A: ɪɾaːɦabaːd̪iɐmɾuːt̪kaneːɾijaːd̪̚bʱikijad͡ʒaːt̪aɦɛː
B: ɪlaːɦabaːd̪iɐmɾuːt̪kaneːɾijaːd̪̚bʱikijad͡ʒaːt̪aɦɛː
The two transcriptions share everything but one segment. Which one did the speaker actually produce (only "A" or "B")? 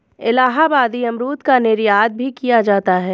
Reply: B